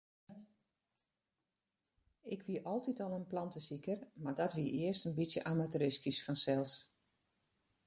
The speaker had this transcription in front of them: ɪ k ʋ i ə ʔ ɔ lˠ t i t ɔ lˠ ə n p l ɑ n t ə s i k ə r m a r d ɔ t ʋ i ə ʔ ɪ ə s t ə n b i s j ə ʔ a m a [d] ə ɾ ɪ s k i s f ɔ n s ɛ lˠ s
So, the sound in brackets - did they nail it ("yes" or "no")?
no